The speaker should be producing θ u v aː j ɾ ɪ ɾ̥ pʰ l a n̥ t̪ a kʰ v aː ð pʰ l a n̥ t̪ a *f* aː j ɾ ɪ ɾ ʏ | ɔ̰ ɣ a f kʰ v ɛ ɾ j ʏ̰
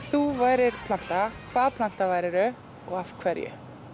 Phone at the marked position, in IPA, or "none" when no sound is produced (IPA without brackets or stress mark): v